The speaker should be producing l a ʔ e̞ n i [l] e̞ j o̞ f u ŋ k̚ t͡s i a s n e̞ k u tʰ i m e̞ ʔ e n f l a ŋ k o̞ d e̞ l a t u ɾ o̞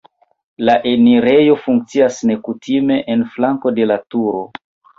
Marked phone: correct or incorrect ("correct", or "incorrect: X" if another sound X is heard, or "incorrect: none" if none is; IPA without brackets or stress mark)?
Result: incorrect: ɾ